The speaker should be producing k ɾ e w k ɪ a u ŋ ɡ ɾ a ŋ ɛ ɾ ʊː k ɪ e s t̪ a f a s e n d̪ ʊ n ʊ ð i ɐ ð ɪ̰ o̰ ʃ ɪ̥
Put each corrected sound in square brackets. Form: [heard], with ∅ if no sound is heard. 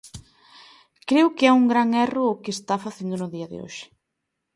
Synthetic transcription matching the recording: k ɾ e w k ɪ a u ŋ ɡ ɾ a ŋ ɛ [r] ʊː k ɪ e s t̪ a f a [θ] e n d̪ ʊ n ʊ ð i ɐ ð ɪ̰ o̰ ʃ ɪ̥